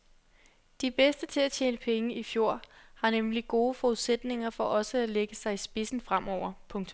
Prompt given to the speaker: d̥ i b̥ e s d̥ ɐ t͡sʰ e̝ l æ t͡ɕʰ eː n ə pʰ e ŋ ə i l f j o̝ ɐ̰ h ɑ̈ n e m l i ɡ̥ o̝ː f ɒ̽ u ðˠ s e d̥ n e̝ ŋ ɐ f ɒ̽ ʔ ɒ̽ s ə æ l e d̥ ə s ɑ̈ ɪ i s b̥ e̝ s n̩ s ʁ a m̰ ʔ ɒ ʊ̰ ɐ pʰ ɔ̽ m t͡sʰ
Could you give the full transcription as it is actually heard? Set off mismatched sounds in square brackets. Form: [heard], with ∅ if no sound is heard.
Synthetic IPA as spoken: d̥ i b̥ e s d̥ [ə] t͡sʰ e̝ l æ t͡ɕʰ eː n ə pʰ e ŋ ə i [∅] f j o̝ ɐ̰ h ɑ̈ n e m l i ɡ̥ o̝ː f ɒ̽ u ðˠ s e d̥ n e̝ ŋ ɐ f ɒ̽ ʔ ɒ̽ s ə æ l e [ɡ̥] ə s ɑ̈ ɪ i s b̥ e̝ s n̩ [f] ʁ a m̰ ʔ ɒ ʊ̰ ɐ pʰ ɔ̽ [ŋ] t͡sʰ